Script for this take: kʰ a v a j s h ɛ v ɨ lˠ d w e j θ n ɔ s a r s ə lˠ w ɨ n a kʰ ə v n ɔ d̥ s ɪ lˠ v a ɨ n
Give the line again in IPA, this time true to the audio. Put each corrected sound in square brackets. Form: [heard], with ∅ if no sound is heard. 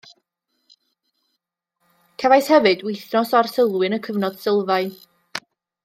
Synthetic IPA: kʰ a v a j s h ɛ v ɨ [∅] d w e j θ n ɔ s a r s ə lˠ w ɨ n [ə] kʰ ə v n ɔ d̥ s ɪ lˠ v a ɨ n